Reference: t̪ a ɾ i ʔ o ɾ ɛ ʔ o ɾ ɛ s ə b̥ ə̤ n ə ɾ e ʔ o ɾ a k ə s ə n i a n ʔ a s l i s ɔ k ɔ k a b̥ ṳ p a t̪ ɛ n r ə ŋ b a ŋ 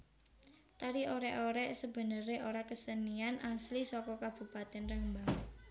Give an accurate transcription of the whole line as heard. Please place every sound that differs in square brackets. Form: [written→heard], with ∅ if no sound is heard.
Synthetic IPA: t̪ a ɾ i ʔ o ɾ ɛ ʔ o ɾ ɛ s ə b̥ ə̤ n ə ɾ e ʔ o ɾ a k ə s ə n i a n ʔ a s l i s ɔ k ɔ k a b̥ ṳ p a t̪ ɛ n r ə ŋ b a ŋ